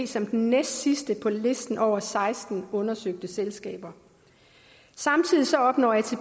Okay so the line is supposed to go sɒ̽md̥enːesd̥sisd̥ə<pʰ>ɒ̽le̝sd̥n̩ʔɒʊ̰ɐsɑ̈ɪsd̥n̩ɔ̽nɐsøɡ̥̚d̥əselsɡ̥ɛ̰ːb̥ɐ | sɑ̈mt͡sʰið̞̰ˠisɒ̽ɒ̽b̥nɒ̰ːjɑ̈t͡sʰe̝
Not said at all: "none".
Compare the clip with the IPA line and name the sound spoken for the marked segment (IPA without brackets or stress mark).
pʰ